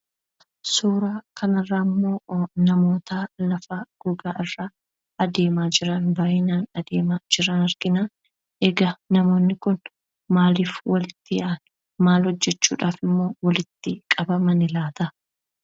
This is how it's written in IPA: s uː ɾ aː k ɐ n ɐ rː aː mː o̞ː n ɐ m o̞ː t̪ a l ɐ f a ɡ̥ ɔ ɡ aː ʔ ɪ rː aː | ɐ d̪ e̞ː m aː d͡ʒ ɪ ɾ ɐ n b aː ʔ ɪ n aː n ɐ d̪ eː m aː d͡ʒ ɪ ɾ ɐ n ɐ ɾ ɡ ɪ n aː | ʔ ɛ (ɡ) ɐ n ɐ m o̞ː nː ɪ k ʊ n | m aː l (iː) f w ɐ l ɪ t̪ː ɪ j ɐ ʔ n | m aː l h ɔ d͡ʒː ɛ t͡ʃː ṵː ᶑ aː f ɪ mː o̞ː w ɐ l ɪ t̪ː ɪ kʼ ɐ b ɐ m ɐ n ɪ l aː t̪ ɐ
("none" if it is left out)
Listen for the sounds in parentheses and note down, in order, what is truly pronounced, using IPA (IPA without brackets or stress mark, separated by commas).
ɡ, iː